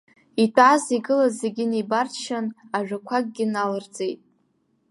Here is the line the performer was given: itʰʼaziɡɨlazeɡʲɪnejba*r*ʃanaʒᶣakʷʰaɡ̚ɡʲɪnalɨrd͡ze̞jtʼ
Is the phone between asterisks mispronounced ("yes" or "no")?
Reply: no